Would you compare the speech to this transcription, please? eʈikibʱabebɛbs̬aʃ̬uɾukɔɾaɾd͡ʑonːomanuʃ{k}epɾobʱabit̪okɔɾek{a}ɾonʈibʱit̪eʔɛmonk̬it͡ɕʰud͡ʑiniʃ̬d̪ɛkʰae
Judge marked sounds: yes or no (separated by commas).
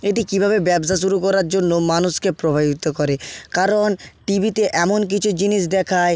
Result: yes, yes